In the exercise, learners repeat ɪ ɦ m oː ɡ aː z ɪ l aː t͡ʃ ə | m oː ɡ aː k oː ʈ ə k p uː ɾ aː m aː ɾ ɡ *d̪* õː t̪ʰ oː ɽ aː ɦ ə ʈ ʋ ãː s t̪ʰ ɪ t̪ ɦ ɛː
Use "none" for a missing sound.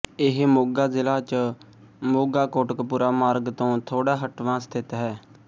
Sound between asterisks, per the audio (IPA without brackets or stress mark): t̪